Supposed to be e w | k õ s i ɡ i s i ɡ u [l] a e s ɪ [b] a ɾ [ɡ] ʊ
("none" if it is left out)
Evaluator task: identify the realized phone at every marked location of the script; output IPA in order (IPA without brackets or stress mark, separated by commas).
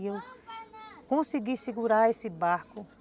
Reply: ɾ, b, k